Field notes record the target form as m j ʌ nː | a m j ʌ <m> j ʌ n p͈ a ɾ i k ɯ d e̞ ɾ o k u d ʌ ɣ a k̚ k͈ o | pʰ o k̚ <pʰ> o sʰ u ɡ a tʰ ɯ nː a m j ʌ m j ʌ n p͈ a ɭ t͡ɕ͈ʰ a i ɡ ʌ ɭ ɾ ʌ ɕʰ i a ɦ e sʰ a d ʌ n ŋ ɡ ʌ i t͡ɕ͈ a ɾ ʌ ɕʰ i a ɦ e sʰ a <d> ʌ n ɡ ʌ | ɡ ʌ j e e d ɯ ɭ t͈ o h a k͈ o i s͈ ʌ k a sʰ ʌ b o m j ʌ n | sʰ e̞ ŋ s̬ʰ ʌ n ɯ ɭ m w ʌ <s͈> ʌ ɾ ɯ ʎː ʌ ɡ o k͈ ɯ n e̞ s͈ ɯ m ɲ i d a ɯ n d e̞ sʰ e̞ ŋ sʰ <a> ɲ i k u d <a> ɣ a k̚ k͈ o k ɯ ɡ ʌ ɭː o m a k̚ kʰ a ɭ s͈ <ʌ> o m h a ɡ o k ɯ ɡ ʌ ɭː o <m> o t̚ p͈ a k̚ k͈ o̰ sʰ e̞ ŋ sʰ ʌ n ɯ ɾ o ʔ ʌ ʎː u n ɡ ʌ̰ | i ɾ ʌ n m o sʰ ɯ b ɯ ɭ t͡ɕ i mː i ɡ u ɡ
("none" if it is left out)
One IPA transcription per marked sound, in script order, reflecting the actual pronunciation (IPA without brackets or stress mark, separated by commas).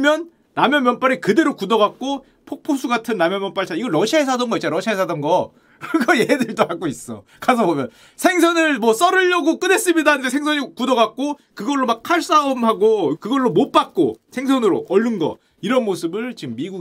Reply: m, pʰ, d, s͈, ʌ, ʌ, a, m